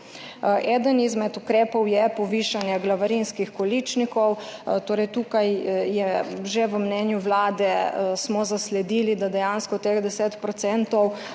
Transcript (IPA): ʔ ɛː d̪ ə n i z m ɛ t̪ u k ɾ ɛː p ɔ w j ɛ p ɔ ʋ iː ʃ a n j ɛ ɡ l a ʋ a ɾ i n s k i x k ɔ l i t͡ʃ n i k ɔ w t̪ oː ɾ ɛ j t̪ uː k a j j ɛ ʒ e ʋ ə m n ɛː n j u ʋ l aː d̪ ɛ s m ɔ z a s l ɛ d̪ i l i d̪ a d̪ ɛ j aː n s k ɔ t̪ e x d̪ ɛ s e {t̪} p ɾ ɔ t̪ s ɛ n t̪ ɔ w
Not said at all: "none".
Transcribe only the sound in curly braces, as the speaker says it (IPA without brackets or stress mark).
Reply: t̪